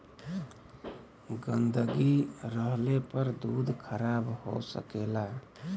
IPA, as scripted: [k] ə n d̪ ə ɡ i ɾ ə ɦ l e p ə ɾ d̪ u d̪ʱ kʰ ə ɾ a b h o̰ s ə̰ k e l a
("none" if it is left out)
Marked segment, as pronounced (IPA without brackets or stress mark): ɡ